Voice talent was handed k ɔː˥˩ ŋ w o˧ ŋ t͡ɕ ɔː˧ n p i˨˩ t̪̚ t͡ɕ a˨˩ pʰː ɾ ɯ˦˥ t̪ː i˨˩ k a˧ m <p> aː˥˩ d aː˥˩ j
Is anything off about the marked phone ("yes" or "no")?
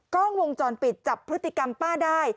no